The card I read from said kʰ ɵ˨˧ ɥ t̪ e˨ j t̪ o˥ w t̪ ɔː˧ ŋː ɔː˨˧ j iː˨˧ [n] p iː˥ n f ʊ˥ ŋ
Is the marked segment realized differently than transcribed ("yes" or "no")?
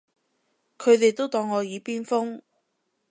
yes